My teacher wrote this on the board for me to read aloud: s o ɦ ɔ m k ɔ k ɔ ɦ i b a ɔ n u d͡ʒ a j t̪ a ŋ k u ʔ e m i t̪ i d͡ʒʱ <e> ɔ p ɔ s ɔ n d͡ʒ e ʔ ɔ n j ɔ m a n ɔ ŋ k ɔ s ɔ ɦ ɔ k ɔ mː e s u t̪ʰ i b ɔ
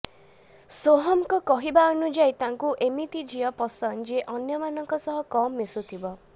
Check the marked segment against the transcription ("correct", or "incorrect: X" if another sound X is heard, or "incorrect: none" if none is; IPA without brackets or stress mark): incorrect: i